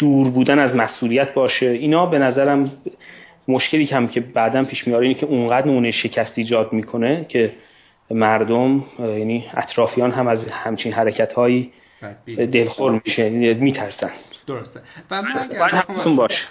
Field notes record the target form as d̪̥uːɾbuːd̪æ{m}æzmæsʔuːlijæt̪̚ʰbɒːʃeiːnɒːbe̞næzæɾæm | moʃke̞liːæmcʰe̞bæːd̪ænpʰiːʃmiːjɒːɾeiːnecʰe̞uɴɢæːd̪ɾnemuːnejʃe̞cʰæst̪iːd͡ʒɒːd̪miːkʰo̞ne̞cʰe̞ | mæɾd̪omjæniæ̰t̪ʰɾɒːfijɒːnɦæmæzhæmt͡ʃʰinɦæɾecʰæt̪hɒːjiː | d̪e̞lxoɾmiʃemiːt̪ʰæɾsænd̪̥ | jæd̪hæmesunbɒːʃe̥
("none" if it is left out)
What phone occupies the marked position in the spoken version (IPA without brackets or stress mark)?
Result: n